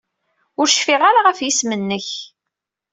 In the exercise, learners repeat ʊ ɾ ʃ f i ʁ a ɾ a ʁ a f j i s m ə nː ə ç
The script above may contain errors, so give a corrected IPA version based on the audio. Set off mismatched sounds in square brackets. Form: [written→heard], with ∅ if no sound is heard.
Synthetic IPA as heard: ʊ ɾ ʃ f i ʁ a ɾ a ʁ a f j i s m ə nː ə ç

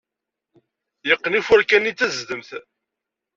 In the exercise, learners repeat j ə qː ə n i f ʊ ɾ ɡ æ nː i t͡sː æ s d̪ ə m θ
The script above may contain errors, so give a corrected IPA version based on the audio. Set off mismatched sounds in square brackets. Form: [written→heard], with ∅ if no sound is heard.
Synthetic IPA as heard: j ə qː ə n i f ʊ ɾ [ɡ→k] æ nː i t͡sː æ [s→z] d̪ ə m θ

